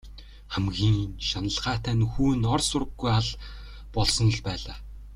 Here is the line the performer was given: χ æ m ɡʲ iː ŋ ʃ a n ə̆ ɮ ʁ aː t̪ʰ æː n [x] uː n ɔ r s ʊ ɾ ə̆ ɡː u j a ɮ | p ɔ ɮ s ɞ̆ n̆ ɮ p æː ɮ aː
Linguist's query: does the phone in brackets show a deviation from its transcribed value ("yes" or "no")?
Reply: no